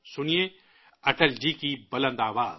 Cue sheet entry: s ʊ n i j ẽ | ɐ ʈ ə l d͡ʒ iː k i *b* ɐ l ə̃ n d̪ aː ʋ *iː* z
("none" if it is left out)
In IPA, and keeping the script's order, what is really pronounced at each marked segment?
b, aː

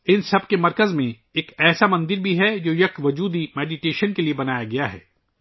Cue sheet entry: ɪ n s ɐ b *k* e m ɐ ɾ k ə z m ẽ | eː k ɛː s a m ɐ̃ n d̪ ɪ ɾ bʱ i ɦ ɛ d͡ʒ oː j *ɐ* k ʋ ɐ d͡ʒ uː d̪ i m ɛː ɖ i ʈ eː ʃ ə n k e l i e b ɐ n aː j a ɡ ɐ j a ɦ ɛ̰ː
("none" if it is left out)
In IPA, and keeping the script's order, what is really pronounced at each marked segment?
k, ɐ

